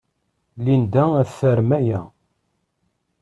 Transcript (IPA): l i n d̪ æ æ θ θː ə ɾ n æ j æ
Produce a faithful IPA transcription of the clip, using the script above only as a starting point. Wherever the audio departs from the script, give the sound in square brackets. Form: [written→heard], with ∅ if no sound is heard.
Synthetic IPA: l i n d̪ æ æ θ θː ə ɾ [n→m] æ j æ